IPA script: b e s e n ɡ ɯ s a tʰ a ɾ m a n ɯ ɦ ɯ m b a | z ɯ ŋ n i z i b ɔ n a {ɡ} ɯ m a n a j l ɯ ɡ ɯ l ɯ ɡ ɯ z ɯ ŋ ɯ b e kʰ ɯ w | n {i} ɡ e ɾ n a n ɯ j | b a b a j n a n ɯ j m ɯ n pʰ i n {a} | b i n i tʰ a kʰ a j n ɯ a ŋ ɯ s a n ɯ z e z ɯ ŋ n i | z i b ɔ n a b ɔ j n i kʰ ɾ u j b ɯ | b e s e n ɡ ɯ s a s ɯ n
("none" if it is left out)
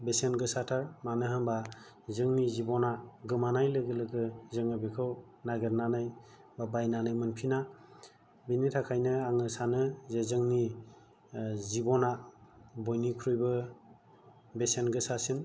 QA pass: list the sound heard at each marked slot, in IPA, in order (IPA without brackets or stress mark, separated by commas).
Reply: ɡ, a, a